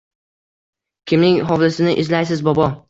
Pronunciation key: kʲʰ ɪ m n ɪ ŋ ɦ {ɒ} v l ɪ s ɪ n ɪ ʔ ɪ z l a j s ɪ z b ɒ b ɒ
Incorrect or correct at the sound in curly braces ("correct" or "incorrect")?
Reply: correct